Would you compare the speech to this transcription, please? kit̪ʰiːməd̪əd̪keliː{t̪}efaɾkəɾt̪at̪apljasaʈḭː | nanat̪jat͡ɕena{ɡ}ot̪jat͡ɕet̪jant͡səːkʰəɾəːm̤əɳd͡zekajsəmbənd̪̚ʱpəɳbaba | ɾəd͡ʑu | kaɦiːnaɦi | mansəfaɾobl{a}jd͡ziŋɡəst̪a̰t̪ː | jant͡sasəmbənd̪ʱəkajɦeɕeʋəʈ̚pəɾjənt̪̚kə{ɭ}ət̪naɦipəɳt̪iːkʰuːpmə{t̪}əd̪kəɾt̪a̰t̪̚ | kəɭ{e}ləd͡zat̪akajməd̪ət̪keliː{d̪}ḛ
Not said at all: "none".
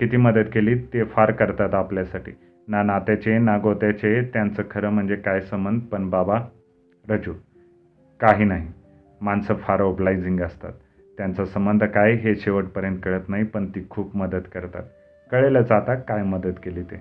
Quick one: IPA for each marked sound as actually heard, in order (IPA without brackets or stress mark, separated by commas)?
t̪, ɡ, a, ɭ, d̪, e, t̪